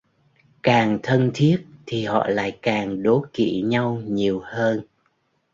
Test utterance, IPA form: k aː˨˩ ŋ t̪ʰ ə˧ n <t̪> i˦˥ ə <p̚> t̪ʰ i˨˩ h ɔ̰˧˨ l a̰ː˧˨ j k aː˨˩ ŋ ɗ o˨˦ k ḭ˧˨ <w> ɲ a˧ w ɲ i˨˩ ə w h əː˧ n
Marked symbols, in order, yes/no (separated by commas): no, no, no